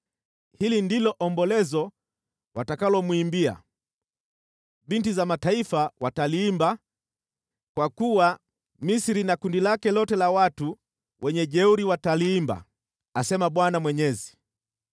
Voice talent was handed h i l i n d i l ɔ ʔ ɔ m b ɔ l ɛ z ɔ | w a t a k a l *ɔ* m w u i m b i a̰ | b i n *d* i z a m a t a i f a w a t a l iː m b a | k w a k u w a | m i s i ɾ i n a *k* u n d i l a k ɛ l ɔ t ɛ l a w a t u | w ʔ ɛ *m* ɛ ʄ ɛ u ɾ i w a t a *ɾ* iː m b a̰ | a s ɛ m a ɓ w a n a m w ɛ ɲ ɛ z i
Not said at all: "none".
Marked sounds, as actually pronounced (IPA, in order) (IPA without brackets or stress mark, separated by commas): ɔ, t, k, ɲ, l